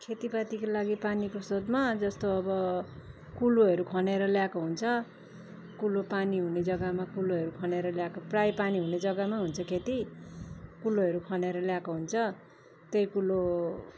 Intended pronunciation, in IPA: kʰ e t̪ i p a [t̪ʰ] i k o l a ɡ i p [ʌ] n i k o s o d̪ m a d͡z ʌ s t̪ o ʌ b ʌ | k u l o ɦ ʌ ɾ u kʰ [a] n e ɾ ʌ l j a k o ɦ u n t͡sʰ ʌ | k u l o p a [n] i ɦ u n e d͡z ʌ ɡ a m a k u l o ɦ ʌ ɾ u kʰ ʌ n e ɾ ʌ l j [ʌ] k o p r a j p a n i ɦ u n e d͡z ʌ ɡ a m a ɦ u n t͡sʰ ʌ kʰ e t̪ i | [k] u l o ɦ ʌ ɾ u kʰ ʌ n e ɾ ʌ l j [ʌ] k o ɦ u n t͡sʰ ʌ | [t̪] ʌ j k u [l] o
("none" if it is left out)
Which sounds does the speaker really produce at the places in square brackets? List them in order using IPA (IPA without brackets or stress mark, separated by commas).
t̪, a, ʌ, n, a, k, a, t̪, l